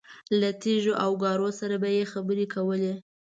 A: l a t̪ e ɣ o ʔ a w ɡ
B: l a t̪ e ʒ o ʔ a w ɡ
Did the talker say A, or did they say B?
B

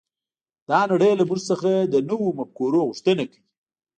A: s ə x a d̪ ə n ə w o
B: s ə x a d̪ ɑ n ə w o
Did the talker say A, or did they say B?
A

